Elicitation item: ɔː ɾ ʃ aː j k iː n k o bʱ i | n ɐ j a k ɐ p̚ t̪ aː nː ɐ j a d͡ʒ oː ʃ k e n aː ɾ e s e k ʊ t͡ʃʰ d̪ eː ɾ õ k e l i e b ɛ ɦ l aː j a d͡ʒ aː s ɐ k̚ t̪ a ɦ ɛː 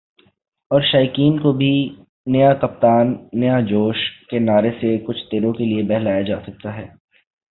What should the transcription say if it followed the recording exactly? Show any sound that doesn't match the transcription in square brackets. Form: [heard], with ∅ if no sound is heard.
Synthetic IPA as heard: ɔː ɾ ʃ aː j k iː n k o bʱ i | n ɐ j a k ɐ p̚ t̪ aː nː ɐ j a d͡ʒ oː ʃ k e n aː ɾ e s e k ʊ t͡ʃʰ [t̪] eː ɾ õ k e l i e b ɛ ɦ l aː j a d͡ʒ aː s ɐ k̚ t̪ a ɦ ɛː